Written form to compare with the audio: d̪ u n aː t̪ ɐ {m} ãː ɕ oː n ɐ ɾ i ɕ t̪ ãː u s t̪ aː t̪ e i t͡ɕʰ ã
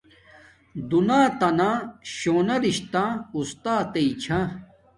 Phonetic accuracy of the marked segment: incorrect: n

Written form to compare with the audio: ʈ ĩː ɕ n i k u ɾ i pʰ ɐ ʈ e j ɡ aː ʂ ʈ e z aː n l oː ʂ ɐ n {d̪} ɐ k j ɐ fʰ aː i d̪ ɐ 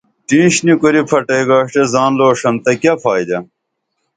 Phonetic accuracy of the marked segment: incorrect: t̪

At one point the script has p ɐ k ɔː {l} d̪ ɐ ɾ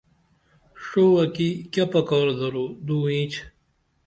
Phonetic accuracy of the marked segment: incorrect: ɾ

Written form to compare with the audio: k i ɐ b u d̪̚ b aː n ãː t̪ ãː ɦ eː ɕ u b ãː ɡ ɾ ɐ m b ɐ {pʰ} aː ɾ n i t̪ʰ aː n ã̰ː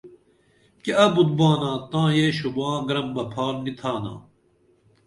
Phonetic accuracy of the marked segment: correct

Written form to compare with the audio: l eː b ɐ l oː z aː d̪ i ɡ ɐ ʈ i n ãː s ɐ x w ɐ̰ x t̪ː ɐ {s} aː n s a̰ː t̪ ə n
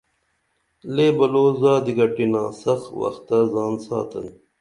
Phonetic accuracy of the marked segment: incorrect: z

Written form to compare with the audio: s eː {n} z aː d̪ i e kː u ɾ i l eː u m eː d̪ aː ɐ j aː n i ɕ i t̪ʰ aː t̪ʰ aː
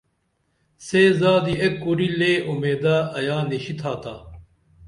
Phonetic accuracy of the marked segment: incorrect: none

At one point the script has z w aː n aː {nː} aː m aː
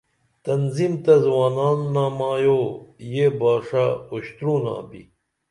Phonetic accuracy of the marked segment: correct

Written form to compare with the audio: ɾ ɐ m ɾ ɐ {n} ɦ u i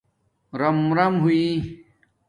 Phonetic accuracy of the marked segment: incorrect: m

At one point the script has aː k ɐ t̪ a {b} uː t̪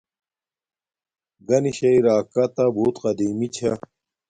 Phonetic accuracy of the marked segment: correct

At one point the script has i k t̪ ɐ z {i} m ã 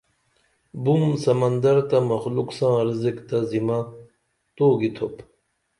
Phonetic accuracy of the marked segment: correct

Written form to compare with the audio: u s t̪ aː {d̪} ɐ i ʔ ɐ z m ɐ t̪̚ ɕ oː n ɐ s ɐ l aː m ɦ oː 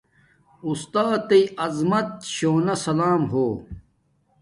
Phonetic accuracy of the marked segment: incorrect: t̪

